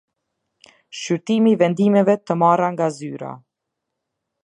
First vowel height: high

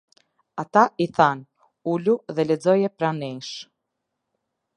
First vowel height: low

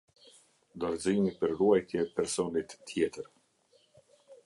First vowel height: mid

